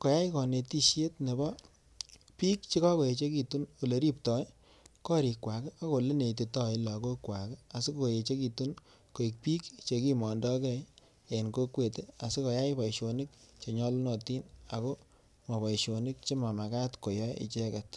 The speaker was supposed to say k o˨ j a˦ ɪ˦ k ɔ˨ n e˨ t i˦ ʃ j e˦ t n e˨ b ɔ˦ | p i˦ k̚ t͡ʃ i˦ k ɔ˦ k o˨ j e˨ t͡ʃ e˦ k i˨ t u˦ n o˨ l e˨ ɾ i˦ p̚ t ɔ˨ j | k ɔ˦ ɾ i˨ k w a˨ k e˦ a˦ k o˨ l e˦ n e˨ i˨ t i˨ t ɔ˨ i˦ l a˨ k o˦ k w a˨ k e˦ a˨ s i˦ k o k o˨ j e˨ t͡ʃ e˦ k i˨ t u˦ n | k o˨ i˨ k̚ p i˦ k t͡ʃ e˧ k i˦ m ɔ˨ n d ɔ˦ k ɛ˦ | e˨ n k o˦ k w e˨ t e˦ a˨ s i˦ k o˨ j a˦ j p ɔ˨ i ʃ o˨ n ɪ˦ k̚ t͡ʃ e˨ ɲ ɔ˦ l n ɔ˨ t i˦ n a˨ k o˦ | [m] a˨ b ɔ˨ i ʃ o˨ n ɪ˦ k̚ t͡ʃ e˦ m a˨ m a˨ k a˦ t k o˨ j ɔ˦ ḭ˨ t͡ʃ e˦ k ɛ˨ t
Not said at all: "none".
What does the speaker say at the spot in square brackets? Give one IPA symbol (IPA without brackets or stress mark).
m